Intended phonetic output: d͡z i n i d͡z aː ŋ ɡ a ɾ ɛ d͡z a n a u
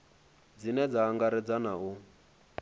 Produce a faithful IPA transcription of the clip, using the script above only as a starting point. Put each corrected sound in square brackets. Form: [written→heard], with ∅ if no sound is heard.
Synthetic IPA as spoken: d͡z i n [i→ɛ] d͡z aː ŋ ɡ a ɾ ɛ d͡z a n a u